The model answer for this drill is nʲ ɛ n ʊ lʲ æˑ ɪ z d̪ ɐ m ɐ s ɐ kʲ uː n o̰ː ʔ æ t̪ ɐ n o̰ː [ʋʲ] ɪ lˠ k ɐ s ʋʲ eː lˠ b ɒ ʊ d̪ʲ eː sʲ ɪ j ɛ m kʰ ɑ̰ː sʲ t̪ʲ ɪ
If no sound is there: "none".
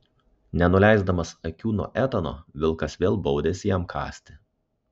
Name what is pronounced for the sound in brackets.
ʋʲ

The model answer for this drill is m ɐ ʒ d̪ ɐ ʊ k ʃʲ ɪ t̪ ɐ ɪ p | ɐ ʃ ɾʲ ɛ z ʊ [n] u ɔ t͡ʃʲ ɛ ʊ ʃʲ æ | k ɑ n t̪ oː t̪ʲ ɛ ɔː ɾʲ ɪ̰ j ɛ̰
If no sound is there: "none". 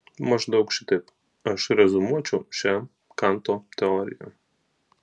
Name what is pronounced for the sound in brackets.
m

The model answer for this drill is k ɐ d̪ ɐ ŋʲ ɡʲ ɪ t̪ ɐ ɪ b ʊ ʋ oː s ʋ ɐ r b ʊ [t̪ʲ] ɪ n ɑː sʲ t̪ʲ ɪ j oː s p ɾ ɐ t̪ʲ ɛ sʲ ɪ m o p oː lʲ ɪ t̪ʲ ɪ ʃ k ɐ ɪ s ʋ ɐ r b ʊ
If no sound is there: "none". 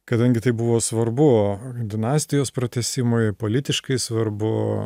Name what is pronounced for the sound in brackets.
d̪ʲ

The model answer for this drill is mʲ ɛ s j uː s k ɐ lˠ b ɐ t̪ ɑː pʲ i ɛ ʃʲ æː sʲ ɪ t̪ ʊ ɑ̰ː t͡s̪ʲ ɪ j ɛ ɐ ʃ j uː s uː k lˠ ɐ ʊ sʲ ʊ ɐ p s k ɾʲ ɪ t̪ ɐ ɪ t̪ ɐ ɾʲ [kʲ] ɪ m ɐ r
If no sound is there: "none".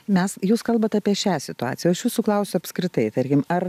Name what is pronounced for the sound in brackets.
kʲ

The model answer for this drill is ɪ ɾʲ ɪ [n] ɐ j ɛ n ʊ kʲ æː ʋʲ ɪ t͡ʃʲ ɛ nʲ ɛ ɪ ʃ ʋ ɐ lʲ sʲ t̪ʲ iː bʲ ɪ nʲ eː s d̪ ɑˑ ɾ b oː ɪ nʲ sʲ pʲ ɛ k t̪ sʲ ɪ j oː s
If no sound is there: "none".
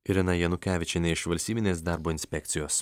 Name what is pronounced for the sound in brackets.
n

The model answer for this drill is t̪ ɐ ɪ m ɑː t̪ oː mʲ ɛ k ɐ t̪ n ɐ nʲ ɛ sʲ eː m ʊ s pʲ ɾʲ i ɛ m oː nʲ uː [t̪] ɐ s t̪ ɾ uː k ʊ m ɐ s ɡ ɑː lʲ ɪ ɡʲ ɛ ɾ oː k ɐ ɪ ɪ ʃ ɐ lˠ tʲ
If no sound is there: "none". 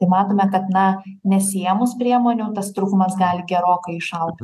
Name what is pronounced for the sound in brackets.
t̪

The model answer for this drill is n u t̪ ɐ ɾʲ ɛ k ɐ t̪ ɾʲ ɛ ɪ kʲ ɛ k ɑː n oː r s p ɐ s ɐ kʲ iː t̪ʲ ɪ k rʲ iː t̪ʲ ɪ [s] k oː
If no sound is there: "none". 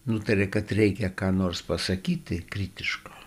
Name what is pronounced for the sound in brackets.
ʃ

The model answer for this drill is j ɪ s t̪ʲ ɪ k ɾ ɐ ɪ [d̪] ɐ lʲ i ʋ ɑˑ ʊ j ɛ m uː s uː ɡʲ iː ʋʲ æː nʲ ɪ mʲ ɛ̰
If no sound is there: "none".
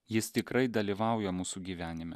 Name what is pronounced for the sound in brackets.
d̪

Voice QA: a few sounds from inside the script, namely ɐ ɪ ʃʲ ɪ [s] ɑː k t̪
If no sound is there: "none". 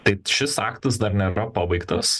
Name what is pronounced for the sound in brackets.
s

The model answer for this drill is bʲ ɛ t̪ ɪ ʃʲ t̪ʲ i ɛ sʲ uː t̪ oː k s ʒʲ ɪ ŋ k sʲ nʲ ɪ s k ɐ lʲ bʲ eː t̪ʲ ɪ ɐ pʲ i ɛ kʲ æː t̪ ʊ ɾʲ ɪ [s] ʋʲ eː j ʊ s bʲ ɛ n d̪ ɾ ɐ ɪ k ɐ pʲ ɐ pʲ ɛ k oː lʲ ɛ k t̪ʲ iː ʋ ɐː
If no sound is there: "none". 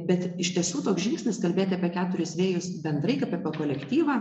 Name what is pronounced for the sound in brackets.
s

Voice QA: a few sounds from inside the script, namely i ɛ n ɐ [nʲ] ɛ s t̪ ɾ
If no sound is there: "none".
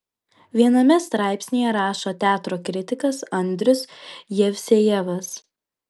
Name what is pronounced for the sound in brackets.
mʲ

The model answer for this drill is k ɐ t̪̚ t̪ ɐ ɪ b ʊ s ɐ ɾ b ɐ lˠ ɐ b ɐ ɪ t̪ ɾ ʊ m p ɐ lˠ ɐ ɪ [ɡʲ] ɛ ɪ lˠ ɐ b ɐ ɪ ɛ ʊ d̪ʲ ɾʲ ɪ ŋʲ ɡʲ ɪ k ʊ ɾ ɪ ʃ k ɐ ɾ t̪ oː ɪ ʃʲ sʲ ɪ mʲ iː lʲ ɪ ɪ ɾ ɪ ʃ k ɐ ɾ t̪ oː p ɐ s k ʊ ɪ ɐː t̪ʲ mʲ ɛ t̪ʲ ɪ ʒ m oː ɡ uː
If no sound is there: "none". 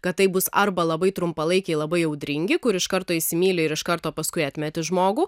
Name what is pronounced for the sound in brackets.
kʲ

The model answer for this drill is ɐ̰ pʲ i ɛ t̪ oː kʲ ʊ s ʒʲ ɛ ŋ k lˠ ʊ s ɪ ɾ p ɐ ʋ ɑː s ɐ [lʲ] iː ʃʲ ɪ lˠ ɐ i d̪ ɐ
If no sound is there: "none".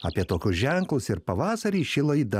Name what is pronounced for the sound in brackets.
ɾʲ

